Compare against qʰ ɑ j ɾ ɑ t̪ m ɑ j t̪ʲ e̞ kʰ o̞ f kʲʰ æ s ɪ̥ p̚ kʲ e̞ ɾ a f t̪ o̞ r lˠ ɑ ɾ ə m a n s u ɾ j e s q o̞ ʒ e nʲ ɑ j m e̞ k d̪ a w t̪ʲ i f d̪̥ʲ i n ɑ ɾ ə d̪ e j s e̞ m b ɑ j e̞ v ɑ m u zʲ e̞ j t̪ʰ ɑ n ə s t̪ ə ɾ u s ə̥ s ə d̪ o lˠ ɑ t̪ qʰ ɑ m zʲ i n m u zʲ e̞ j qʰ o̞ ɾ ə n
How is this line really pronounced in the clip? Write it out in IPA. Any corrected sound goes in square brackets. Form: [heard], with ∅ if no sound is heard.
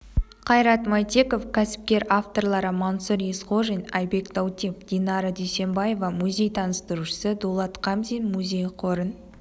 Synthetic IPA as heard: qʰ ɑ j ɾ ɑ t̪ m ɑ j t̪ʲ e̞ [k] o̞ f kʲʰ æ s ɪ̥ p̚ kʲ e̞ ɾ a f t̪ o̞ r lˠ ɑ ɾ ə m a n s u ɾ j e s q o̞ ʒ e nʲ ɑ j [b] e̞ k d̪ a w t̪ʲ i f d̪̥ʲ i n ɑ ɾ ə d̪ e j s e̞ m b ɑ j e̞ v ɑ m u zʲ e̞ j t̪ʰ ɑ n ə s t̪ ə ɾ u [ʃ] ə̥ s ə d̪ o lˠ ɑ t̪ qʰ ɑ m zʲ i n m u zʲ e̞ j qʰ o̞ ɾ ə n

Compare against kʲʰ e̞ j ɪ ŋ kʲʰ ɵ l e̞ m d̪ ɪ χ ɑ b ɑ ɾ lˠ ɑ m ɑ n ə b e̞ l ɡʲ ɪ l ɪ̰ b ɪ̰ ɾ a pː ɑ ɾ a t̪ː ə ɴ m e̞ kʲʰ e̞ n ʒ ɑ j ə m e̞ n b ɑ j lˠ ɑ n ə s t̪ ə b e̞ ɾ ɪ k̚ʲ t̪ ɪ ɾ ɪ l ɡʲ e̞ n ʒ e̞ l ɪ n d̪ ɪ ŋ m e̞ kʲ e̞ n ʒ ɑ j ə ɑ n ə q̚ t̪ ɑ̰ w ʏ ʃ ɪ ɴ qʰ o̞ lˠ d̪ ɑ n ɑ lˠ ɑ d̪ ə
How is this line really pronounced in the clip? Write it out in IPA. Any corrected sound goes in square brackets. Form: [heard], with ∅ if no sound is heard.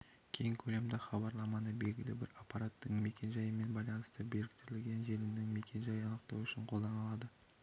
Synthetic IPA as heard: kʲʰ e̞ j ɪ ŋ kʲʰ ɵ l e̞ m d̪ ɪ χ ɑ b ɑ ɾ lˠ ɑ m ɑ n ə b e̞ l ɡʲ ɪ l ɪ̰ b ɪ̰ ɾ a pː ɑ ɾ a t̪ː ə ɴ m e̞ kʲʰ e̞ n ʒ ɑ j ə m e̞ n b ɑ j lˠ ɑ n ə s t̪ ə b e̞ ɾ ɪ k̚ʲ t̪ ɪ ɾ ɪ l ɡʲ e̞ n ʒ e̞ l ɪ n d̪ ɪ ŋ m e̞ kʲ e̞ n ʒ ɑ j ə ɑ n ə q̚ t̪ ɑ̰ w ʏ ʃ ɪ ɴ qʰ o̞ lˠ d̪ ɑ n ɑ lˠ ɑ d̪ ə

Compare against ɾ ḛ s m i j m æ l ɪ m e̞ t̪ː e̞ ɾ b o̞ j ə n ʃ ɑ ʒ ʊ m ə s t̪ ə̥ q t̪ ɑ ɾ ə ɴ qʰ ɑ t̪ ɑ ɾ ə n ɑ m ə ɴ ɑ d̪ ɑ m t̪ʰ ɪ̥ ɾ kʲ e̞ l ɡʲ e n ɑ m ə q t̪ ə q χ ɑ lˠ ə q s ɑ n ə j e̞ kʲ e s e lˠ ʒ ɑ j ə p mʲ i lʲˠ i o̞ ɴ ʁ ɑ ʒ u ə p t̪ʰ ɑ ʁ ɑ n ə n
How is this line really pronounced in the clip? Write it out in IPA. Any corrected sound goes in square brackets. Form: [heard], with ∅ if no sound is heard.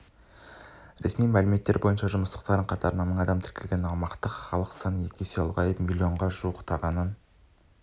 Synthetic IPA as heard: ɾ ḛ s m i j m æ l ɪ m e̞ t̪ː e̞ ɾ b o̞ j ə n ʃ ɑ ʒ ʊ m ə s t̪ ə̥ q t̪ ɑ ɾ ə ɴ qʰ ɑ t̪ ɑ ɾ ə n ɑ m ə ɴ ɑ d̪ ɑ m t̪ʰ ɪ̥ ɾ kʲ e̞ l ɡʲ e n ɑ m [ɑ] q t̪ ə q χ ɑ lˠ ə q s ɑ n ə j e̞ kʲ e s e lˠ [ʁ] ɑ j ə p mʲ i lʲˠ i o̞ ɴ ʁ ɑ ʒ u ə [q] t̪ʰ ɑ ʁ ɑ n ə n

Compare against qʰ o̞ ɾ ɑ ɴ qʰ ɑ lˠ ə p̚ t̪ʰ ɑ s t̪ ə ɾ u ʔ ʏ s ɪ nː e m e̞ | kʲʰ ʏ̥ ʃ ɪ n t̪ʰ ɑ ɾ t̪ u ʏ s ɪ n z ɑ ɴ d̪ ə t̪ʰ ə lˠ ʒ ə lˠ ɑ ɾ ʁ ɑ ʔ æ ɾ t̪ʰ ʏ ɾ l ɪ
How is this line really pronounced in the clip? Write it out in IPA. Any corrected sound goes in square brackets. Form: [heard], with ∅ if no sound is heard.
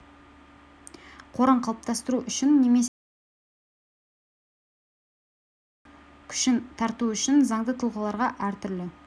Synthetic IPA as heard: qʰ o̞ ɾ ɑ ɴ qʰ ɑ lˠ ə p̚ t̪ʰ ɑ s t̪ ə ɾ u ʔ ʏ [ʃ] ɪ nː e m e̞ | kʲʰ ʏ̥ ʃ ɪ n t̪ʰ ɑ ɾ t̪ u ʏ [ʃ] ɪ n z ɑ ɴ d̪ ə t̪ʰ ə lˠ [ʁ] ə lˠ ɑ ɾ ʁ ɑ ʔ æ ɾ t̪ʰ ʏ ɾ l ɪ

